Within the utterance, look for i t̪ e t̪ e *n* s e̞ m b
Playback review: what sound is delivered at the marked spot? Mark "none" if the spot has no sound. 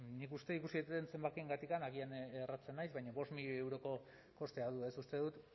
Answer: n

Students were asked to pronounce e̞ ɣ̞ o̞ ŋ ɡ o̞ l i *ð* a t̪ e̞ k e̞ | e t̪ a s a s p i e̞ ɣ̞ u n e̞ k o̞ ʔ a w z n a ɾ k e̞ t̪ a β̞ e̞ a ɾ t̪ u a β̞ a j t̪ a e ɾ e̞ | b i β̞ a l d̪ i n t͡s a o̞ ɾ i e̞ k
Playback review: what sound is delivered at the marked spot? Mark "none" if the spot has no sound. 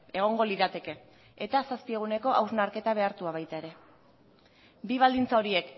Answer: ð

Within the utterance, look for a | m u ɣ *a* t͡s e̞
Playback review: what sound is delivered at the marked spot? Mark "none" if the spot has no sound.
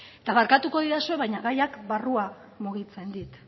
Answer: i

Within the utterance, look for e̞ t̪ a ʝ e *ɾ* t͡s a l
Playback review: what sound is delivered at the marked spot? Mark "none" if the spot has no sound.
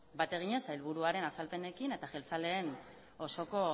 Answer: l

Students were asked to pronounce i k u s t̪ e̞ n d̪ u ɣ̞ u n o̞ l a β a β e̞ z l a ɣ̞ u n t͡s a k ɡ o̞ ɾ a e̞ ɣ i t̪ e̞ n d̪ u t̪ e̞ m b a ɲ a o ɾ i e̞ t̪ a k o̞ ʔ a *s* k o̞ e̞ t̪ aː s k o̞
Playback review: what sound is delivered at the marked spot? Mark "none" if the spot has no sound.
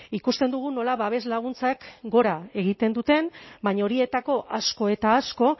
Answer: s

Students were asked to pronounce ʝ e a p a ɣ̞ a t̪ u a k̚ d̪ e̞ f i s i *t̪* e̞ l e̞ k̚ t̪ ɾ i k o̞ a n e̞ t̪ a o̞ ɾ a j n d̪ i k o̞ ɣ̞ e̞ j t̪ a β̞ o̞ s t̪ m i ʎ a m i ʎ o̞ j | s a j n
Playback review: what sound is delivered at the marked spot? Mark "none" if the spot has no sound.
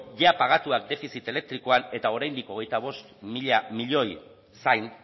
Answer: t̪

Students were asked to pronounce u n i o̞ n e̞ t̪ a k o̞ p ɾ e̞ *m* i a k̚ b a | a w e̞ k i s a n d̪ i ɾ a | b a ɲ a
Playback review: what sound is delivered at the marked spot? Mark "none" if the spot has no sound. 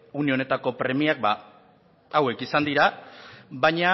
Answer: m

